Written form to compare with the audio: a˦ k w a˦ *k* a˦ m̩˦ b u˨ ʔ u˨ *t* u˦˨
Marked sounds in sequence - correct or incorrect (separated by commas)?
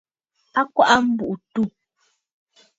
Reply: incorrect, correct